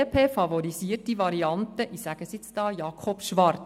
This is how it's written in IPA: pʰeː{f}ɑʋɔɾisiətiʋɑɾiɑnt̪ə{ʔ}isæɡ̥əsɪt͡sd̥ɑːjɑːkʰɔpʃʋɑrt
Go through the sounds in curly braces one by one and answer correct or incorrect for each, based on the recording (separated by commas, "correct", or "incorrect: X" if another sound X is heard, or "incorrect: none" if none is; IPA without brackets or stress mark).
correct, correct